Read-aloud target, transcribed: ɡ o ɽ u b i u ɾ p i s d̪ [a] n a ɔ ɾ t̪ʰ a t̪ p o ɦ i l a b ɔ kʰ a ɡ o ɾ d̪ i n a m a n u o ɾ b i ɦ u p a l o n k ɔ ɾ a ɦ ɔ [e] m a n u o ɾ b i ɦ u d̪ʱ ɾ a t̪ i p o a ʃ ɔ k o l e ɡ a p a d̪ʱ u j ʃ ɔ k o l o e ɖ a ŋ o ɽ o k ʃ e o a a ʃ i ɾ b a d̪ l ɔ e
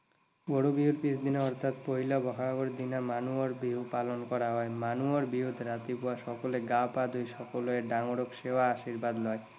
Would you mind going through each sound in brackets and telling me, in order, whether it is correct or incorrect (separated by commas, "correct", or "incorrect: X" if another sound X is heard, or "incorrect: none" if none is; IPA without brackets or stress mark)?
incorrect: i, correct